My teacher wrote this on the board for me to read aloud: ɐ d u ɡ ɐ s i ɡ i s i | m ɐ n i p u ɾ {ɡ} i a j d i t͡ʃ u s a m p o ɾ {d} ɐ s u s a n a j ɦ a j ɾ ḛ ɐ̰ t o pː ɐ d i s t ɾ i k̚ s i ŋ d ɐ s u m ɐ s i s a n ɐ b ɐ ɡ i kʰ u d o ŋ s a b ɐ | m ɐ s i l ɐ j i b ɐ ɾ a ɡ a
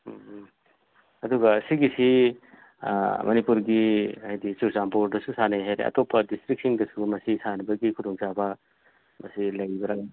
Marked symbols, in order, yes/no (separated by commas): yes, yes